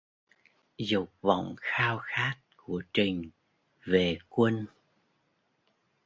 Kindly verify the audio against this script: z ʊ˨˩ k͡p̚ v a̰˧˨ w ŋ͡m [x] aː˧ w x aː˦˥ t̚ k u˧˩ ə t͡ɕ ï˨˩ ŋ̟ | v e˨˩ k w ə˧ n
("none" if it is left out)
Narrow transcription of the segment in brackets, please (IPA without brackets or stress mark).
x